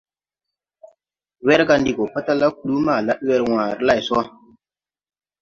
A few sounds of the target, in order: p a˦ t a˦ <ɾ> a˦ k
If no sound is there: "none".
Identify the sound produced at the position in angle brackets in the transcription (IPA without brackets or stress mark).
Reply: l